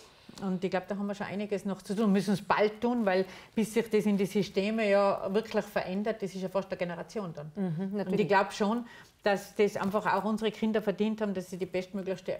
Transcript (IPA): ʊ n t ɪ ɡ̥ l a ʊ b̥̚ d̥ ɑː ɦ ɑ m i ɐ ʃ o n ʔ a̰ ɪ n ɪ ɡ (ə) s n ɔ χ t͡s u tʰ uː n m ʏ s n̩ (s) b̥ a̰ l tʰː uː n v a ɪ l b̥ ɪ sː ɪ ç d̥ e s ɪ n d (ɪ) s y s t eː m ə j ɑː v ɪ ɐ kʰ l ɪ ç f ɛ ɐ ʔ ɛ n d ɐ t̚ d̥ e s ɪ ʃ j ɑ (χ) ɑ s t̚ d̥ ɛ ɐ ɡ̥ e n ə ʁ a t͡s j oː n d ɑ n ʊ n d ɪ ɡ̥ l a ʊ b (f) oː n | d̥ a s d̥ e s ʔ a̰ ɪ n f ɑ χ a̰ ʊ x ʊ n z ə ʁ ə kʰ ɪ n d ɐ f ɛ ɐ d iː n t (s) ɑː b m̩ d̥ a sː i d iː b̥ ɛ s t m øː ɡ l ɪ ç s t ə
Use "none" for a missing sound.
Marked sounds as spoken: ə, s, i, f, ʃ, h

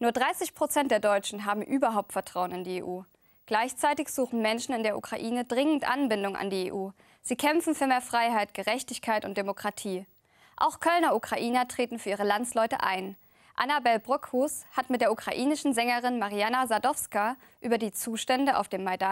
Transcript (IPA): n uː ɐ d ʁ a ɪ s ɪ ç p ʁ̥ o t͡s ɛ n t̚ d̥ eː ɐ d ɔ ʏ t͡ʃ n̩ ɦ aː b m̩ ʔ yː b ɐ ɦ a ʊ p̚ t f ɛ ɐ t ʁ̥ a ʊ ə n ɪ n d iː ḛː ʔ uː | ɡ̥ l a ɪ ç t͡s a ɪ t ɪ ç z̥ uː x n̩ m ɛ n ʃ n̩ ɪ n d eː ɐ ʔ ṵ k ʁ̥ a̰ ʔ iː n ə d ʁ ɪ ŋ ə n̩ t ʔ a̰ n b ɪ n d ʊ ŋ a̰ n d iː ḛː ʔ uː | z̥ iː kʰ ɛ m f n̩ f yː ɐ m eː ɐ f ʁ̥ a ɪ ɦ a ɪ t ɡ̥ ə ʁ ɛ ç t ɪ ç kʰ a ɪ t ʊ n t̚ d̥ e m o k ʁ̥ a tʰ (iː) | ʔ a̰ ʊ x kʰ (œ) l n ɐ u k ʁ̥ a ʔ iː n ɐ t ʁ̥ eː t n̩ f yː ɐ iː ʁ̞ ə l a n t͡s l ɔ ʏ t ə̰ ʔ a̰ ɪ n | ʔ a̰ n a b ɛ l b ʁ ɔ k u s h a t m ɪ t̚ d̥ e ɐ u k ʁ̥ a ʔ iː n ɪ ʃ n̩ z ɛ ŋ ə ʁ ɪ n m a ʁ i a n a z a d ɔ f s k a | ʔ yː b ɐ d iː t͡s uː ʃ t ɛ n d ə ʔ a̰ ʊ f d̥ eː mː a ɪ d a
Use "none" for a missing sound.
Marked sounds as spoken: iː, œ

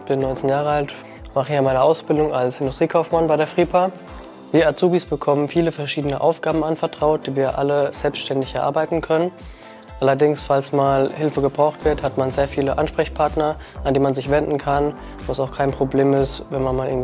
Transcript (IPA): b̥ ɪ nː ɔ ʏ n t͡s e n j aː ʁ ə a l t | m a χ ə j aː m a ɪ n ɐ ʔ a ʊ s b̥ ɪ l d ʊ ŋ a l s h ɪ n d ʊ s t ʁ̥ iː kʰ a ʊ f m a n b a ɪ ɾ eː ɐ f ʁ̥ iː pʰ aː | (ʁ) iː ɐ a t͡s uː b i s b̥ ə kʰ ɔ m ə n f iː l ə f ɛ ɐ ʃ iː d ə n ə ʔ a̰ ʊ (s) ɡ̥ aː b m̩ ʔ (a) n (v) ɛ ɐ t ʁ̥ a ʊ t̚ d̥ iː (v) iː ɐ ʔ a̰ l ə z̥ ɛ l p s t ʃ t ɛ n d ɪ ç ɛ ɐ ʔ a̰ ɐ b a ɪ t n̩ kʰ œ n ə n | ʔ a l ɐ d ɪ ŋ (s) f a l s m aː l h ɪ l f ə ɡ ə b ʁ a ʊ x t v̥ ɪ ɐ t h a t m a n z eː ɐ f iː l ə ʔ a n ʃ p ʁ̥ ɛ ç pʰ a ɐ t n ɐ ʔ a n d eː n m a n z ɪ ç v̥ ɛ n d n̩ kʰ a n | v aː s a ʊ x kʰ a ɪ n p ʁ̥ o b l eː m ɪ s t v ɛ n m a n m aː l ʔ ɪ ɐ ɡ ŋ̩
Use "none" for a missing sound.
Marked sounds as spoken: v, f, a, f, v, s

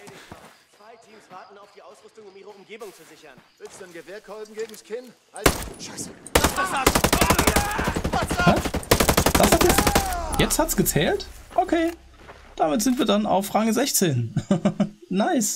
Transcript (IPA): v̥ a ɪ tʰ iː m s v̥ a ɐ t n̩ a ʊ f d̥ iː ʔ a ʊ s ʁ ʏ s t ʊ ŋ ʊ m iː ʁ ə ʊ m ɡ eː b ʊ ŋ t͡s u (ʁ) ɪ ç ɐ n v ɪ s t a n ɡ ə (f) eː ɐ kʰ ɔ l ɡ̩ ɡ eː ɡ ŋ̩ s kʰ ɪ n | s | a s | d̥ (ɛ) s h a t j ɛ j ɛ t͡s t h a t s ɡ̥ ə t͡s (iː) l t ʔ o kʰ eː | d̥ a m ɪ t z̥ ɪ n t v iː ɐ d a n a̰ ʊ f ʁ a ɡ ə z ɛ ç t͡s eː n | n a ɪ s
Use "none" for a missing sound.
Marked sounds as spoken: z, v, a, ɛː

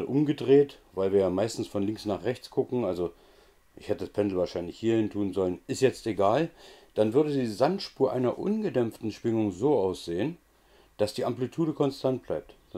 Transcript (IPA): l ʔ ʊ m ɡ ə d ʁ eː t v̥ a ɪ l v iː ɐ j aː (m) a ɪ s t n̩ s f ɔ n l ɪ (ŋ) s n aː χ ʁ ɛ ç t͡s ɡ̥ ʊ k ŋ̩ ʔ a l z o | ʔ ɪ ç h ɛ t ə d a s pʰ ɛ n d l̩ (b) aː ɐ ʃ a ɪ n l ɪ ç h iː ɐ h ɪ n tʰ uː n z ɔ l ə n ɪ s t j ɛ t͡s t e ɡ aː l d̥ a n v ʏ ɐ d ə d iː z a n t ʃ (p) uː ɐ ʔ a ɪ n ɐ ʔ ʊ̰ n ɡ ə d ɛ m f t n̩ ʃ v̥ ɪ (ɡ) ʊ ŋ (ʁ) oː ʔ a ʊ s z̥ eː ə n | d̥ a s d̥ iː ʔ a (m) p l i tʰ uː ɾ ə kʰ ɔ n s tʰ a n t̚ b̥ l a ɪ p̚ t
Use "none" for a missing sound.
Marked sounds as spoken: m, ŋ, v, p, ŋ, z, m

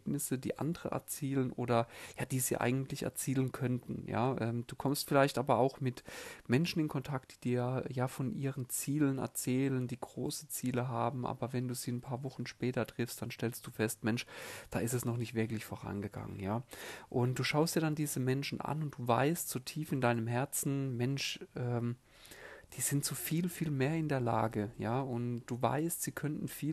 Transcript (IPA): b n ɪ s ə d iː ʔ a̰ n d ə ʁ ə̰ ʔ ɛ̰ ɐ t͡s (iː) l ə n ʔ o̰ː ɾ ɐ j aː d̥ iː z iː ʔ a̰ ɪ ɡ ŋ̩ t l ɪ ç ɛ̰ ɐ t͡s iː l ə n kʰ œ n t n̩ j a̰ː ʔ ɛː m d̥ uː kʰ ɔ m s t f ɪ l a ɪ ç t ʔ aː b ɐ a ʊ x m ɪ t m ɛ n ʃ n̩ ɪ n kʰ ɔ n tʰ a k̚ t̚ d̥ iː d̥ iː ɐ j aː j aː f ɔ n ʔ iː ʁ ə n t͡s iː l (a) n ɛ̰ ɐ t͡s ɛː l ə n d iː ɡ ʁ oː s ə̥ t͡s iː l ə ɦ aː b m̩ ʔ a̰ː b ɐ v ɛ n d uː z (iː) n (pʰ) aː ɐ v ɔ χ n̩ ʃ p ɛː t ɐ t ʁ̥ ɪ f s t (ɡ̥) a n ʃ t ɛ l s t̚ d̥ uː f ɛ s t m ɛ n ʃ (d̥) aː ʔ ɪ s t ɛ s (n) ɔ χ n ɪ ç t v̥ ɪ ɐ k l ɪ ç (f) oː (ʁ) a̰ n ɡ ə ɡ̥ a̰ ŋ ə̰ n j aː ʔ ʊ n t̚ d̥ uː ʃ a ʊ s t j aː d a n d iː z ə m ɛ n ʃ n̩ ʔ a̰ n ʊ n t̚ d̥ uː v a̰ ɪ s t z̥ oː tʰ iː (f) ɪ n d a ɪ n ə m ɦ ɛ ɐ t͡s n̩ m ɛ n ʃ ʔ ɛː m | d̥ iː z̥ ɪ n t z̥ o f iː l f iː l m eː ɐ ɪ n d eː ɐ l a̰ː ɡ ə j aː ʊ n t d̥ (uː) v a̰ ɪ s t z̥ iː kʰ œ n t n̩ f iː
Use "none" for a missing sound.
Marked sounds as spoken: iː, ə, iː, pʰ, d̥, d̥, n, f, ʁ, f, uː

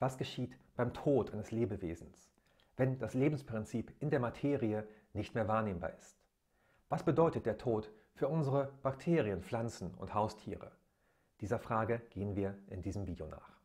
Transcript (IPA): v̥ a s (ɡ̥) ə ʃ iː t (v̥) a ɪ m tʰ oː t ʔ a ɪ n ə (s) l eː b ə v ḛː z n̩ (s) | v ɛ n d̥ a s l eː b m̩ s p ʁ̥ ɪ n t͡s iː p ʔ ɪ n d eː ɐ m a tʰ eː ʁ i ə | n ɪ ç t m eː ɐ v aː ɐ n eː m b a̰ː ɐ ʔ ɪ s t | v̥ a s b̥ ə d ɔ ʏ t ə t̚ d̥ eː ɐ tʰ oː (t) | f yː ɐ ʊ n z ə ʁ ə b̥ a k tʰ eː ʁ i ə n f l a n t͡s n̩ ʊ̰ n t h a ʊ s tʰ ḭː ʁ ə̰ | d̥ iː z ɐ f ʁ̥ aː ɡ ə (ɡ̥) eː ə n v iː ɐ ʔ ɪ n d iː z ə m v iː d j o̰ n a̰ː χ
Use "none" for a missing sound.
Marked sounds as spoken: ɡ̥, b̥, s, s, t, ɡ̥

